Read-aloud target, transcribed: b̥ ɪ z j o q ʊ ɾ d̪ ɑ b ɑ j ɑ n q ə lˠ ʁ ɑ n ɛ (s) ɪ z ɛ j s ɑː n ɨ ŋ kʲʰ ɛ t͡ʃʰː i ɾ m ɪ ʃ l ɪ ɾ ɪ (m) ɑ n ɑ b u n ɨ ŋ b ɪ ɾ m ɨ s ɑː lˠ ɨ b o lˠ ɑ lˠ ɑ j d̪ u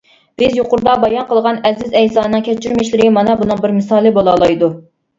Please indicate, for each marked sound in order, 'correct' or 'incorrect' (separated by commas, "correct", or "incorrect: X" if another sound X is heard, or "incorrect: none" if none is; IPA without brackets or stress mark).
incorrect: z, correct